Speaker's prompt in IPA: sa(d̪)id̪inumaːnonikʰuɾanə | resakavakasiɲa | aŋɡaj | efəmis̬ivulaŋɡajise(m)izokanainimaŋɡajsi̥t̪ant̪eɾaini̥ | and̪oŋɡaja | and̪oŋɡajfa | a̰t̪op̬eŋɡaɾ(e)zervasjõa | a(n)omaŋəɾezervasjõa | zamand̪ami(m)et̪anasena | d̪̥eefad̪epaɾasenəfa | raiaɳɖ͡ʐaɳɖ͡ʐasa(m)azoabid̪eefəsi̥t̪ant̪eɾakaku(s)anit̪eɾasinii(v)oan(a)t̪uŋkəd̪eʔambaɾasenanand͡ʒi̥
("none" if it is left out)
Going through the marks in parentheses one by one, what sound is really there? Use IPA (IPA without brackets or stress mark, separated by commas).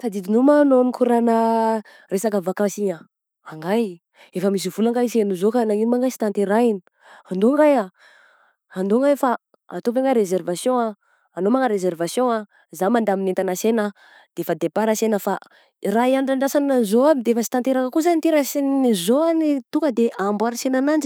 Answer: d̪, n, e, n, n, n, z, z, i